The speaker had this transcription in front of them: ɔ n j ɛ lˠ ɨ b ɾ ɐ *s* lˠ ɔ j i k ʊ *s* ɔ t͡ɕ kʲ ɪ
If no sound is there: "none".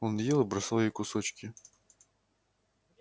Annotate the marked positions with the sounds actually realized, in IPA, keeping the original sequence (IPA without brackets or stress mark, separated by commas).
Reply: s, s